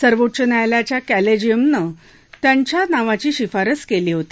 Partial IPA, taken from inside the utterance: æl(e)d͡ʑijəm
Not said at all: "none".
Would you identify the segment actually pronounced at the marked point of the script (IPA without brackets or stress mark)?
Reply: e